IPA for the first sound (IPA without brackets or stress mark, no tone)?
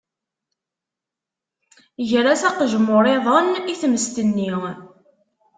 ʝ